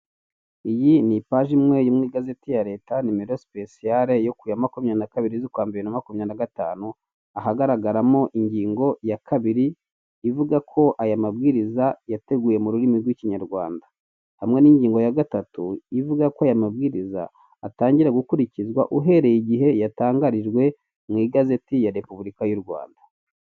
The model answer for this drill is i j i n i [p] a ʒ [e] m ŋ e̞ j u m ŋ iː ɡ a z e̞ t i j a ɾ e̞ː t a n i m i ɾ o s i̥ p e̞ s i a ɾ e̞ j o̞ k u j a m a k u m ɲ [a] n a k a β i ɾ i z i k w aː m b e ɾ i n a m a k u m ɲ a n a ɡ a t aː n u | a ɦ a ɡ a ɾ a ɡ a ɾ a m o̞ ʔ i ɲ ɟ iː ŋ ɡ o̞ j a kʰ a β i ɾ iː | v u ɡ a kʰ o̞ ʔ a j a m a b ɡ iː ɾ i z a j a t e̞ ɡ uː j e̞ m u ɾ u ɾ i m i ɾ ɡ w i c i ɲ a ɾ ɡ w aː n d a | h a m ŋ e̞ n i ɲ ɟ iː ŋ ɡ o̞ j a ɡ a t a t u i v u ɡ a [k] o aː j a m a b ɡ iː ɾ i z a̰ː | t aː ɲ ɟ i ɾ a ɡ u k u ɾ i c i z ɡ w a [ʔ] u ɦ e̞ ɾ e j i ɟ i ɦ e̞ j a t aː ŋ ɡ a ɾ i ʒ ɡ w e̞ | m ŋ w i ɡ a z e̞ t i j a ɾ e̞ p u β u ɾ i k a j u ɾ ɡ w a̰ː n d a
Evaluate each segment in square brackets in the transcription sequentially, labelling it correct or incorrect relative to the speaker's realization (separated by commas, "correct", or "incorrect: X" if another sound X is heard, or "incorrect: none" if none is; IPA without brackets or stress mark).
correct, incorrect: i, correct, correct, correct